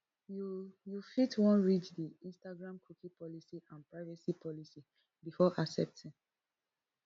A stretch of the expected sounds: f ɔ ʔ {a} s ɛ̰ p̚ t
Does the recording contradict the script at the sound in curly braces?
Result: no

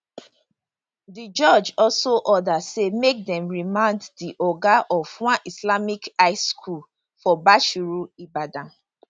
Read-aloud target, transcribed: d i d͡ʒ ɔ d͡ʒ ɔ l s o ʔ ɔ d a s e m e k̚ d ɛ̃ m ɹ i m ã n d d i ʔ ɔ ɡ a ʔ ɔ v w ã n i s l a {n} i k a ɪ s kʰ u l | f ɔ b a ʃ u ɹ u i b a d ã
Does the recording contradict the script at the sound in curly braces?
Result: yes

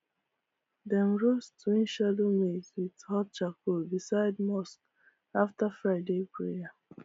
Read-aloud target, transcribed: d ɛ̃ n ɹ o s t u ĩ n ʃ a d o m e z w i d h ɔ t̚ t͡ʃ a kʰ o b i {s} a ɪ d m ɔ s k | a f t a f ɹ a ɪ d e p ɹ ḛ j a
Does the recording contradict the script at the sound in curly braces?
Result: no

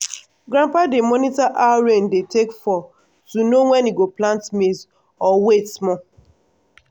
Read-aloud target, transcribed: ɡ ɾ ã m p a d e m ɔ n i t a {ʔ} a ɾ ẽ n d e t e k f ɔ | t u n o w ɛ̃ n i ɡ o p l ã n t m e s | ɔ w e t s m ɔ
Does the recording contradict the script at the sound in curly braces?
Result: no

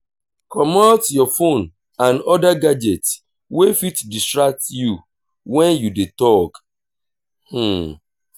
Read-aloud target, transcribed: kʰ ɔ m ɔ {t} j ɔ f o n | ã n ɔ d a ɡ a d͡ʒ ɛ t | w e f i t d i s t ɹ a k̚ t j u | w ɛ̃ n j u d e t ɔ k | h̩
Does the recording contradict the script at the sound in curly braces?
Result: no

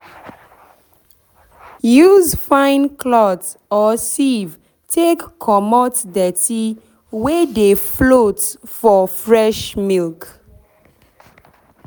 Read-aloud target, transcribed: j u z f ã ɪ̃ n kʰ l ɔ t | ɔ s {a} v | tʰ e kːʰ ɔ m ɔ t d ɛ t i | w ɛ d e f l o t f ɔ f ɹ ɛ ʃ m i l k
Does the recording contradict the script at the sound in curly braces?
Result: yes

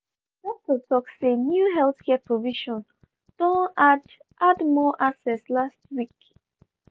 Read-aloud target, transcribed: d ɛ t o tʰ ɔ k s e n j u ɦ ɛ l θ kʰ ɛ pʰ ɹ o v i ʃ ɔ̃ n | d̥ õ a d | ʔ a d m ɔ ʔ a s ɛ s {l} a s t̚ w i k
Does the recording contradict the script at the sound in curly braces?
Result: no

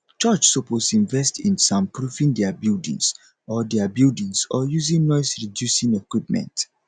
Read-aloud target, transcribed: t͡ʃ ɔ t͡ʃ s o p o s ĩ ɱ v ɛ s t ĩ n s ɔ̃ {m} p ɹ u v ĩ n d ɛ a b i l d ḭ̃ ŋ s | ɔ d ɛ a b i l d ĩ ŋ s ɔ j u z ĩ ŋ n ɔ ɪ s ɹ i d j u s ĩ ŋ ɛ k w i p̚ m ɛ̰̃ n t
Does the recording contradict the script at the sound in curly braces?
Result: no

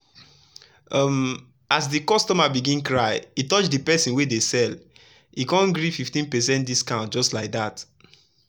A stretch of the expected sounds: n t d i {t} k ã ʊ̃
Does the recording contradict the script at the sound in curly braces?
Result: yes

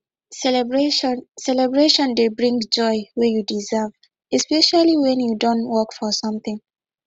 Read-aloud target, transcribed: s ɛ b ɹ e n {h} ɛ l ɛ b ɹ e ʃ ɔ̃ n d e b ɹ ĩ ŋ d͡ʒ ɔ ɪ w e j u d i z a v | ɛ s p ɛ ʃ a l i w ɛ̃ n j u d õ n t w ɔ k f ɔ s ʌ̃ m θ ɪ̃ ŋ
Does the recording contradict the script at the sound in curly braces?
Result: yes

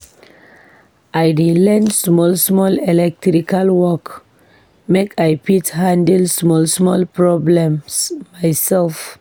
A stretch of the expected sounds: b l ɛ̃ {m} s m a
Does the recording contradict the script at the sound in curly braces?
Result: no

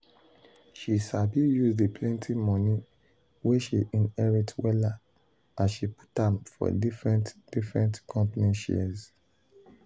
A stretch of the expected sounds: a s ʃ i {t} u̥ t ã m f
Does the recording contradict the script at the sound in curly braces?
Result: yes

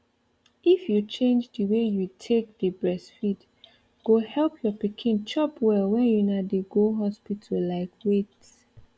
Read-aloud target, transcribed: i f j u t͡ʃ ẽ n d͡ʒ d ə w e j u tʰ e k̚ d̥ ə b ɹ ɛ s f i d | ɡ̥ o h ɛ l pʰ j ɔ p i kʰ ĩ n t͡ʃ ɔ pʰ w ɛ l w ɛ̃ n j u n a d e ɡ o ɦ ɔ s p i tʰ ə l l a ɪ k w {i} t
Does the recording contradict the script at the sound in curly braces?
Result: yes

